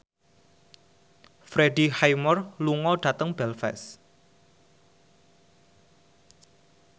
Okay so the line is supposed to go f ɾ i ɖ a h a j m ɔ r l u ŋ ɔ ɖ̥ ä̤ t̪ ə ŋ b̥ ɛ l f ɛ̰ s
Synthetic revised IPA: f ɾ e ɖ i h a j m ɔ r l u ŋ ɔ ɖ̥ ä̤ t̪ ə ŋ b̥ ɛ l f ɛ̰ s